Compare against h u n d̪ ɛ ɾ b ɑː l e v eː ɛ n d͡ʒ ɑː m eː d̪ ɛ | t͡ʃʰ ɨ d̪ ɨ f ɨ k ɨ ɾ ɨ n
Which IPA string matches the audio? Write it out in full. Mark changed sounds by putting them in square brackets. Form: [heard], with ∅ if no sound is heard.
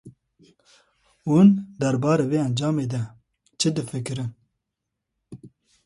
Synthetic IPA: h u n d̪ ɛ ɾ b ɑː [ɾ] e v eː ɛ n d͡ʒ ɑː m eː d̪ ɛ | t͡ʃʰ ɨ d̪ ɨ f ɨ k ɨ ɾ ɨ n